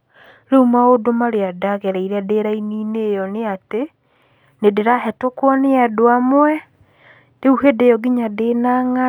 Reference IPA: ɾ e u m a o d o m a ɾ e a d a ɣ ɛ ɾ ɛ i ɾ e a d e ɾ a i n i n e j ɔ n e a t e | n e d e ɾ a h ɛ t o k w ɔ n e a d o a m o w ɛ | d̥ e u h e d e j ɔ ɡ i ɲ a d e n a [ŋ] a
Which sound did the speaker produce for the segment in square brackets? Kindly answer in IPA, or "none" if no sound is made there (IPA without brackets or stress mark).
ŋ